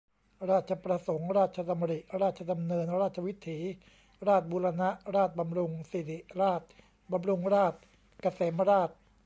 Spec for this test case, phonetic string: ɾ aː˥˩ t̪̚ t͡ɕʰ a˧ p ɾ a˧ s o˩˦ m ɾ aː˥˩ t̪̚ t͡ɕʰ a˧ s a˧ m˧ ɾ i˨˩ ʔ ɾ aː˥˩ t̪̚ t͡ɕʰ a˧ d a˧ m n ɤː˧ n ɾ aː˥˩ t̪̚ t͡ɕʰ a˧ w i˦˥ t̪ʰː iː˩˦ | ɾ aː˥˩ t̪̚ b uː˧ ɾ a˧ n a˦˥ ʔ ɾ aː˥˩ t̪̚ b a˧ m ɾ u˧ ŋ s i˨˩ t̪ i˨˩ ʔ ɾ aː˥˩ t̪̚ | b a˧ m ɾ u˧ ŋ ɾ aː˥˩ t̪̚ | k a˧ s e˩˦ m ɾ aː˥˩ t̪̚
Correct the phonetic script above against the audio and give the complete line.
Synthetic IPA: ɾ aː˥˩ t̪̚ t͡ɕʰ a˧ p ɾ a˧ s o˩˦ ŋ ɾ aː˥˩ t̪̚ t͡ɕʰ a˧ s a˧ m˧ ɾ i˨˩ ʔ ɾ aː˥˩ t̪̚ t͡ɕʰ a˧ d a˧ m n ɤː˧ n ɾ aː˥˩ t̪̚ t͡ɕʰ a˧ w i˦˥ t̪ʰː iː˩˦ | ɾ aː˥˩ t̪̚ b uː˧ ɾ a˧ n a˦˥ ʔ ɾ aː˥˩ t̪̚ b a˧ m ɾ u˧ ŋ s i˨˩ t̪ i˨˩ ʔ ɾ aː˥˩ t̪̚ | b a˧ m ɾ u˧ ŋ ɾ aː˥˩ t̪̚ | k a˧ s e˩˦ m ɾ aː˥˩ t̪̚